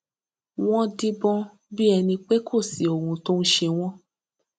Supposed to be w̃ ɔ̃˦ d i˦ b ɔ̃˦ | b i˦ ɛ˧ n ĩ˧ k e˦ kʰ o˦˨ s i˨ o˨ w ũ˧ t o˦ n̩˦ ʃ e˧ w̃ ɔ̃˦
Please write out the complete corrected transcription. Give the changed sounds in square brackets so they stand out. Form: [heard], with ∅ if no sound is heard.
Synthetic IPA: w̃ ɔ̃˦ d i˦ b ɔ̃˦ | b i˦ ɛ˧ n ĩ˧ [k͡p] e˦ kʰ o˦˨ s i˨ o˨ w ũ˧ t o˦ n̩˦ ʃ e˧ w̃ ɔ̃˦